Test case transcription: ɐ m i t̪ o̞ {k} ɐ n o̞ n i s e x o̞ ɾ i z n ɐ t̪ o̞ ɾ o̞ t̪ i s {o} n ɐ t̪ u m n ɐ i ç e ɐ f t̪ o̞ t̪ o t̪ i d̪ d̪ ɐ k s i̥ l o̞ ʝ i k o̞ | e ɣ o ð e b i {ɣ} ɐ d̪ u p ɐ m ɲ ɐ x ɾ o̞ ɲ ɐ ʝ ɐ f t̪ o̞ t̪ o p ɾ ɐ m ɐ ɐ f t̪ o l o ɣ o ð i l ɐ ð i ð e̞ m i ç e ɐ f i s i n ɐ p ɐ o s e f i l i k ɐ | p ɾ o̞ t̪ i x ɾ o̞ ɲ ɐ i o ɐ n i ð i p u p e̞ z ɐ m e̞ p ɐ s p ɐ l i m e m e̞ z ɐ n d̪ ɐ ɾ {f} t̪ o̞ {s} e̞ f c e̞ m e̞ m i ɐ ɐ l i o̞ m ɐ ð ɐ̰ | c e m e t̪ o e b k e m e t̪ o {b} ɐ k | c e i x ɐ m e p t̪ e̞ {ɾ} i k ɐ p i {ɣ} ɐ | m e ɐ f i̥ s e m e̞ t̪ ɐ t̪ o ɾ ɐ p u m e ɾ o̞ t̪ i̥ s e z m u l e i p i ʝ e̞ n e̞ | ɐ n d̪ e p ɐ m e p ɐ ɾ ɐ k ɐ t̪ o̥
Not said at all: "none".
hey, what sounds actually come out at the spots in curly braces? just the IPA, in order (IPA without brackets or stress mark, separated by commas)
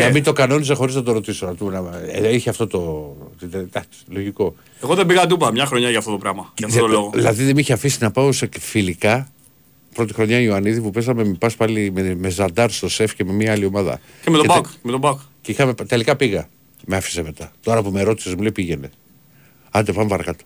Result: k, o, ɣ, s, s, b, l, ɣ